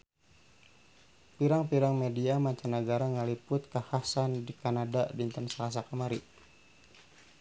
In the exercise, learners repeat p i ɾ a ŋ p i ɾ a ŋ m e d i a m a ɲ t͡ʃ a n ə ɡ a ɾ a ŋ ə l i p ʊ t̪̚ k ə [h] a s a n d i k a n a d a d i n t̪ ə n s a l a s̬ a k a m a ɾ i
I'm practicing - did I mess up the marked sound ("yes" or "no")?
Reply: no